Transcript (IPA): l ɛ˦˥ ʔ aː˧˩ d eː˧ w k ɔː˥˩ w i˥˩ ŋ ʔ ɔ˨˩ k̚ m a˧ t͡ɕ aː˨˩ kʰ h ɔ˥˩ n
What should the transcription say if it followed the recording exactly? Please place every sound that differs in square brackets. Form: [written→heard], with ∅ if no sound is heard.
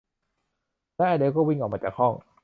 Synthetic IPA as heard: l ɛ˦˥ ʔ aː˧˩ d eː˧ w k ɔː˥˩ w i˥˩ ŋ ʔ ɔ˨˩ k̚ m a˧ t͡ɕ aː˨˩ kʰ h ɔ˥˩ [n→ŋ]